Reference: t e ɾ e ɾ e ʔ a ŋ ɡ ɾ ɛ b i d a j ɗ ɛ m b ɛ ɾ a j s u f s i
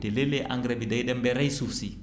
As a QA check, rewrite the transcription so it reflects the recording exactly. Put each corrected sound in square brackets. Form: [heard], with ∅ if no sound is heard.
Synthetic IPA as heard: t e [l] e [l] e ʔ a ŋ ɡ ɾ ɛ b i d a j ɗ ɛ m b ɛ ɾ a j s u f s i